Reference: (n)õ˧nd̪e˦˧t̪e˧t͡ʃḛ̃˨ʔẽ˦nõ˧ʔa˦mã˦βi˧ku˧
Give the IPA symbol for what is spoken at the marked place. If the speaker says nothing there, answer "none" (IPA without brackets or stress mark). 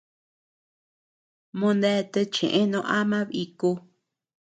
m